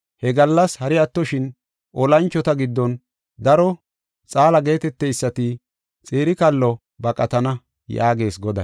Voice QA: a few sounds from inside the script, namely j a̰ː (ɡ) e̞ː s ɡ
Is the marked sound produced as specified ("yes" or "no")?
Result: yes